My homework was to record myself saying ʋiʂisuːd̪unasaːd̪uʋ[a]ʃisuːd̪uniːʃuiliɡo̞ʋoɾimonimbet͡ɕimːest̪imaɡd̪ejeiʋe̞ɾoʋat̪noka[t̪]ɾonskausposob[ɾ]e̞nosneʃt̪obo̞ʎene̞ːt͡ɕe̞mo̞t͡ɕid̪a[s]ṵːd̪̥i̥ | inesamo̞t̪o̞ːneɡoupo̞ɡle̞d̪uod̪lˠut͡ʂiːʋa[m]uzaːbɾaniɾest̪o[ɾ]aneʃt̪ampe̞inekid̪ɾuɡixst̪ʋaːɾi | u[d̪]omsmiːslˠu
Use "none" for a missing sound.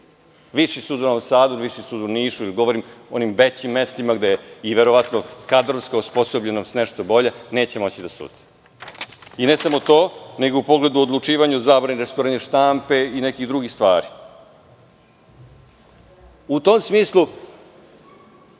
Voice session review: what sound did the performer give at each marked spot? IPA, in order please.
i, d̪, ʎ, s, ɲ, ɾ, t̪

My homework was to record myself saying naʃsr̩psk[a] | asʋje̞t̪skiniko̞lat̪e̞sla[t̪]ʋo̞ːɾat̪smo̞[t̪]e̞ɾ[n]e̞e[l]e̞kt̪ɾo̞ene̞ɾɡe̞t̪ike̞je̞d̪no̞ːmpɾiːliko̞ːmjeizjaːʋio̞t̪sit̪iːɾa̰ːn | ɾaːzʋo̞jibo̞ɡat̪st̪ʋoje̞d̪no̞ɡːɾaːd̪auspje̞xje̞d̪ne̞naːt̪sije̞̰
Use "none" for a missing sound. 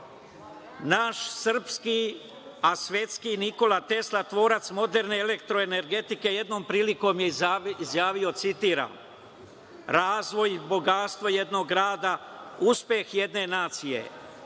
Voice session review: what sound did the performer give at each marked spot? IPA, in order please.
i, t̪, d̪, n, l

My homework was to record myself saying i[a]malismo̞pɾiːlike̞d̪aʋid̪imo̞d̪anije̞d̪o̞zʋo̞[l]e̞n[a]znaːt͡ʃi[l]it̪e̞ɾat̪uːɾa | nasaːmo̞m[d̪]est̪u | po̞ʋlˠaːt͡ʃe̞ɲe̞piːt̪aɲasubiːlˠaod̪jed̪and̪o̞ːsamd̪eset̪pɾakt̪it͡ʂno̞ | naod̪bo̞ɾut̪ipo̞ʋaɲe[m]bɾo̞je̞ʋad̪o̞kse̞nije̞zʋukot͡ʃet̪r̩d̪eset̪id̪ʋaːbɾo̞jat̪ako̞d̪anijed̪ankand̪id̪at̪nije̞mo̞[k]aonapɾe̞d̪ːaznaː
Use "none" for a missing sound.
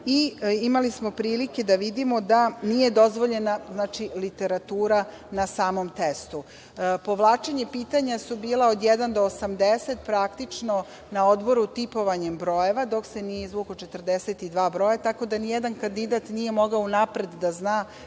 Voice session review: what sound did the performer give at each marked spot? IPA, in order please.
i, ʎ, a, l, t̪, m, ɡ

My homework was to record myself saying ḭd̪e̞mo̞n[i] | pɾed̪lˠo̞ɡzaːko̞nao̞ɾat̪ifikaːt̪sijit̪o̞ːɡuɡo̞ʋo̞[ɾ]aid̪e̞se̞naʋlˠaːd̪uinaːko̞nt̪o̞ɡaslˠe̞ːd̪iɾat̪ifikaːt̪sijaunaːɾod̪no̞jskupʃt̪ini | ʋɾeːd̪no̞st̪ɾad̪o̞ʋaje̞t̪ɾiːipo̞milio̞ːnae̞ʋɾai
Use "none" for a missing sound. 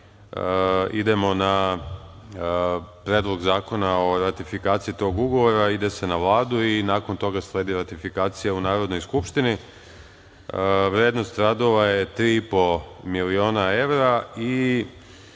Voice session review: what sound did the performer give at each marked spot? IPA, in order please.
a, ɾ

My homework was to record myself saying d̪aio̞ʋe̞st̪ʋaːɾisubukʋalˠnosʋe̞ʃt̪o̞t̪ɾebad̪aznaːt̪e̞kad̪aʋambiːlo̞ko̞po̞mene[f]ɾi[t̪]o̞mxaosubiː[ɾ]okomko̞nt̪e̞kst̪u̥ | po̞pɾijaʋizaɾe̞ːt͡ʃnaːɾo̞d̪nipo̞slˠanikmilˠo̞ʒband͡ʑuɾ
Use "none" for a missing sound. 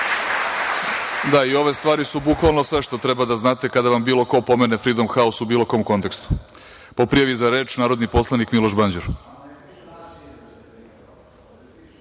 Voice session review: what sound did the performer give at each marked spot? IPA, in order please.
f, d̪, l

